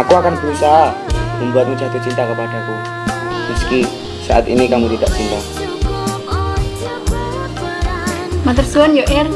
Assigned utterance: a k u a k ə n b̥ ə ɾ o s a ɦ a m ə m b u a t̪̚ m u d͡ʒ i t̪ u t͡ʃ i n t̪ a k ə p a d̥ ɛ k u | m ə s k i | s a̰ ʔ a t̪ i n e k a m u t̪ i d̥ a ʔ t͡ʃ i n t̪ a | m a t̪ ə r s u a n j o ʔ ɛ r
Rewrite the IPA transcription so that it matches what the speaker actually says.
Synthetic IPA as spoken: a k u a k a n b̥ ə ɾ u s a ɦ a m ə m b u a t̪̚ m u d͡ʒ a t̪ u t͡ʃ i n t̪ a k ə p a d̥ a k u | m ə s k i | s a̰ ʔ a t̪ i n i k a m u t̪ i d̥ a ʔ t͡ʃ i n t̪ a | m a t̪ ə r s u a n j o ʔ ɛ r